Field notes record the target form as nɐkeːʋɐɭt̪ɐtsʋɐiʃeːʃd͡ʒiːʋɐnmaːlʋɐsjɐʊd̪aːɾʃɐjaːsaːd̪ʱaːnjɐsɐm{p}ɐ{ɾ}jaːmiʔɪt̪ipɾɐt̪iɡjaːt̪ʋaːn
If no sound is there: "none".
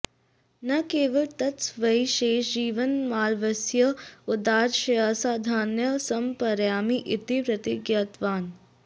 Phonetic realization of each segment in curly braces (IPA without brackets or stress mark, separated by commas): p, ɾ